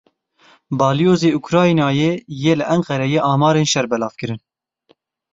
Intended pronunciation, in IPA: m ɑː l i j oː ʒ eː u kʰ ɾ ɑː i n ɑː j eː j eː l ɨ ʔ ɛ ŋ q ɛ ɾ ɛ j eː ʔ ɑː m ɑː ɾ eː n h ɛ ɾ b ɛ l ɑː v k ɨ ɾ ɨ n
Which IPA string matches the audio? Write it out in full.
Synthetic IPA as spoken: b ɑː l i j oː z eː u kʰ ɾ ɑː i n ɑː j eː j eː l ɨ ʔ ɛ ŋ q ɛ ɾ ɛ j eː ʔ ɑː m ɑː ɾ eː n ʃ ɛ ɾ b ɛ l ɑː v k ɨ ɾ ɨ n